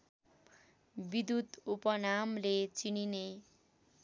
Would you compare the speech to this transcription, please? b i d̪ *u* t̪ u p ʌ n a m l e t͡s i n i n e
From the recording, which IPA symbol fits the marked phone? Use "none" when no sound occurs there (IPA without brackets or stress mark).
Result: u